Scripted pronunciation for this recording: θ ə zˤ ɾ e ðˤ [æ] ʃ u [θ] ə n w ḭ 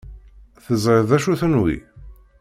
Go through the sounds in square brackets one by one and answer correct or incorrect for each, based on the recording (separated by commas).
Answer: correct, correct